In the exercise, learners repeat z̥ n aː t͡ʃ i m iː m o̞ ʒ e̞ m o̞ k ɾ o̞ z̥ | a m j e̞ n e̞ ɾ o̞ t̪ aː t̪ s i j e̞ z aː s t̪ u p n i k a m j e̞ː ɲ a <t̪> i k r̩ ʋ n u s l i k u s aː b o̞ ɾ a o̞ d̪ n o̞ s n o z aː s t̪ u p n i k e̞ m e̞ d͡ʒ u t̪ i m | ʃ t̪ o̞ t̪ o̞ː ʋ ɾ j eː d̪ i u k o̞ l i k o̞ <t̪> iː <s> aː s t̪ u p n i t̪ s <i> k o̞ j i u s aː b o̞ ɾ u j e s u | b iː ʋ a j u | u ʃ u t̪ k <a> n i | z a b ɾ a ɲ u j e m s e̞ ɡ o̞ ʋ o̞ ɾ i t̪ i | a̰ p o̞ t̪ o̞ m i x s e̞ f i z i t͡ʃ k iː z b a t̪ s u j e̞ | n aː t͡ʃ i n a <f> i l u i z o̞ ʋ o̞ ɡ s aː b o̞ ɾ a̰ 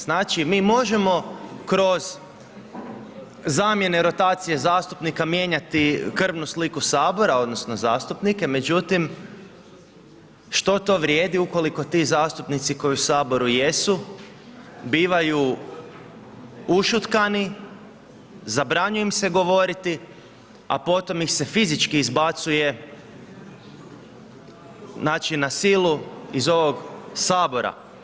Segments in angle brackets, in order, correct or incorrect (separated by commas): correct, correct, incorrect, correct, correct, incorrect